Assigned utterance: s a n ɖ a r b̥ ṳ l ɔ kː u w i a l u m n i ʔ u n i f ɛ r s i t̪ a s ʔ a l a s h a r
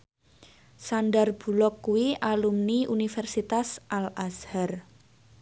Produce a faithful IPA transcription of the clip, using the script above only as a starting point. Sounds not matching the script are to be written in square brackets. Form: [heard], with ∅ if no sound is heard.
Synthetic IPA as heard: s a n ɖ a r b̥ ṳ l ɔ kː u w i a l u m n i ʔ u n i f ɛ r s i t̪ a s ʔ a l a s h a r

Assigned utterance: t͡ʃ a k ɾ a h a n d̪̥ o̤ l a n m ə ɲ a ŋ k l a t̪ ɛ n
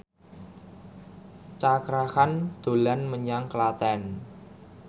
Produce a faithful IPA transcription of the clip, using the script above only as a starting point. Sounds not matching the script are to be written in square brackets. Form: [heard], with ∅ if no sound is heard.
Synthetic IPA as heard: t͡ʃ a k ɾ a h a n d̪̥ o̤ l a n m ə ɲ a ŋ k l a t̪ ɛ n

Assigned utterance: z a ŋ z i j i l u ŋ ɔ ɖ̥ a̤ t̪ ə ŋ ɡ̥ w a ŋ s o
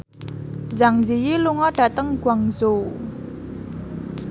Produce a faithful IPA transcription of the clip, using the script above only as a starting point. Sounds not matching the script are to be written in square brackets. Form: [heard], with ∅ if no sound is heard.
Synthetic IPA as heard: z a ŋ z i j i l u ŋ ɔ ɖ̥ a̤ t̪ ə ŋ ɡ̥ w a ŋ [z] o

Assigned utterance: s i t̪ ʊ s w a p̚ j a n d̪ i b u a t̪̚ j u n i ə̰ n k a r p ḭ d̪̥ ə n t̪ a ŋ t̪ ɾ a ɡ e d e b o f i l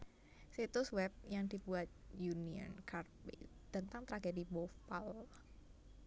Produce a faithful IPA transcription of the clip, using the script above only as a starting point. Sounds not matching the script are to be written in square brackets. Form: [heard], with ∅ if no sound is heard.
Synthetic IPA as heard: s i t̪ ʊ s w [ɛ] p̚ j a [ŋ] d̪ i b u a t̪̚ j u n i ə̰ n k a r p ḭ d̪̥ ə n t̪ a ŋ t̪ ɾ a ɡ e d [i] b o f [a] l

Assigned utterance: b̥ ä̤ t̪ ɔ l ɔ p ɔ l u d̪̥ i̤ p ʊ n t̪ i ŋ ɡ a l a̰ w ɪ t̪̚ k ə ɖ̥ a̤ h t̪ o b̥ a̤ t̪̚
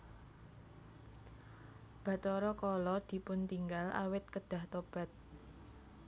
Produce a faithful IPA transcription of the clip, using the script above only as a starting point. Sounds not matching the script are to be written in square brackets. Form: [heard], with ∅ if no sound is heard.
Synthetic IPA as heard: b̥ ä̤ t̪ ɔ [ɾ] ɔ [k] ɔ l [ɔ] d̪̥ i̤ p ʊ n t̪ i ŋ ɡ a l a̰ w ɪ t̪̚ k ə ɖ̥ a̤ h t̪ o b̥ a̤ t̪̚

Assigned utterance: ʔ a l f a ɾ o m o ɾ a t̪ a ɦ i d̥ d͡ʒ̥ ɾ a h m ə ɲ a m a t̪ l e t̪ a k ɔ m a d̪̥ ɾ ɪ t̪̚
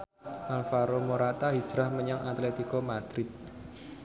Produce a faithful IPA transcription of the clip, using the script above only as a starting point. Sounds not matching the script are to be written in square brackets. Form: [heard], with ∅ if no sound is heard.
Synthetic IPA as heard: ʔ a l f a ɾ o m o ɾ a t̪ a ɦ i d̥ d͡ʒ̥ ɾ a h m ə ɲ a [ŋ] a t̪ l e t̪ [i] k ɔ m a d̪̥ ɾ ɪ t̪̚

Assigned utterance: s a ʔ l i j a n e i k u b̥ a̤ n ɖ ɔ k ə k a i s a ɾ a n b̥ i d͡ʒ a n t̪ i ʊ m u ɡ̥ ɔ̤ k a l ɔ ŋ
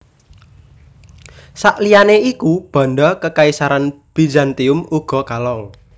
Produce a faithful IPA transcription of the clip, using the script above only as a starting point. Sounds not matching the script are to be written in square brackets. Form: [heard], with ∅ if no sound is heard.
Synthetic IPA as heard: s a ʔ l i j a n e i k u b̥ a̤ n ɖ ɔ k ə k a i s a ɾ a n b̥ i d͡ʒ a n t̪ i ʊ m u ɡ̥ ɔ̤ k a l ɔ ŋ

